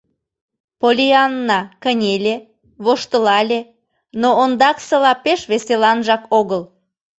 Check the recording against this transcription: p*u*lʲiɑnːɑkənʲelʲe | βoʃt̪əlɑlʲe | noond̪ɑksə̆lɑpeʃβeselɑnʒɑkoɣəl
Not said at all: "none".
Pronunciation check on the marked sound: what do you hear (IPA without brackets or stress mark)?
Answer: o